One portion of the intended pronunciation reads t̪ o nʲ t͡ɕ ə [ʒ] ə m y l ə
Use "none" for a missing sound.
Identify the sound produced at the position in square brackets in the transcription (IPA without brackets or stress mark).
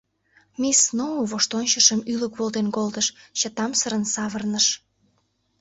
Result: ʃ